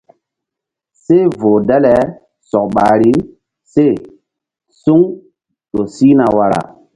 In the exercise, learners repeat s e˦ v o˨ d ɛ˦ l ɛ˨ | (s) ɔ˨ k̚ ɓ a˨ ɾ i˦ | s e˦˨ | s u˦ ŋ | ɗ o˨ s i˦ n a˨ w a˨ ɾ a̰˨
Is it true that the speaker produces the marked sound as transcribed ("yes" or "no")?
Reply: yes